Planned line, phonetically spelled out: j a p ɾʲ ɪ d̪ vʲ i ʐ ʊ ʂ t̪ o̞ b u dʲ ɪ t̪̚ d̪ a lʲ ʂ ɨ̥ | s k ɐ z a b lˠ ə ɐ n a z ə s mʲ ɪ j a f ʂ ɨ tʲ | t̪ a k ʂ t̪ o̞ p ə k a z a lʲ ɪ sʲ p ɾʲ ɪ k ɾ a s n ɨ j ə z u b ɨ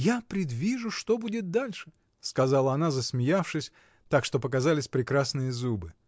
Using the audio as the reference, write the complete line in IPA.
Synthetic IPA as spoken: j a p ɾʲ ɪ d̪ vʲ i ʐ ʊ ʂ t̪ o̞ b u dʲ ɪ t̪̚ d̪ a lʲ ʂ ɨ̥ | s k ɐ z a lˠ ə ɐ n a z ə s mʲ ɪ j a f ʂ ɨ sʲ | t̪ a k ʂ t̪ o̞ p ə k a z a lʲ ɪ sʲ p ɾʲ ɪ k ɾ a s n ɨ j ə z u b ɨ